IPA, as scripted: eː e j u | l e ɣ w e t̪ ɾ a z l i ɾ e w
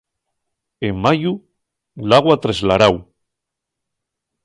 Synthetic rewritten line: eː a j u | l a ɣ w a t̪ ɾ e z l a ɾ a w